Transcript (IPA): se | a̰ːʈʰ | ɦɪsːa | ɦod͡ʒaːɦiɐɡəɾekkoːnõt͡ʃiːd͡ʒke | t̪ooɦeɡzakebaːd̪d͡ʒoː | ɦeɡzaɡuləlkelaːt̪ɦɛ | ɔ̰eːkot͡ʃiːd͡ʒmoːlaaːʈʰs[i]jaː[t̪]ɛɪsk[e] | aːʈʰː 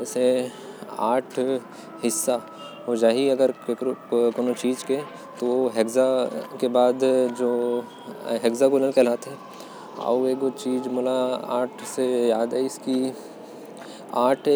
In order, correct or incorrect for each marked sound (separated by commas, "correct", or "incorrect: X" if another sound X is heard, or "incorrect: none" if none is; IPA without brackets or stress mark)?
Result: incorrect: e, incorrect: d̪, incorrect: i